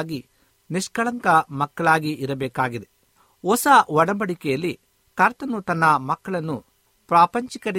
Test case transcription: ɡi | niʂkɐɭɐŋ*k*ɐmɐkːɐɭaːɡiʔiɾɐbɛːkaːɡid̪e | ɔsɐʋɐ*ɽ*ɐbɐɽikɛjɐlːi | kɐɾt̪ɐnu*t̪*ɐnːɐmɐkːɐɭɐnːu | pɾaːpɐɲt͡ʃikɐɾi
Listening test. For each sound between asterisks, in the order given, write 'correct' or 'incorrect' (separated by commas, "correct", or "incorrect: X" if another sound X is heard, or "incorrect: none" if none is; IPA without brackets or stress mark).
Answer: correct, correct, correct